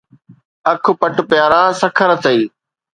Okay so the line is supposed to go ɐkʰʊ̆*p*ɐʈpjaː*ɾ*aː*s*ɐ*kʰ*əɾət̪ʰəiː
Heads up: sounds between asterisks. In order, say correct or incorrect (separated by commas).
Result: correct, correct, correct, correct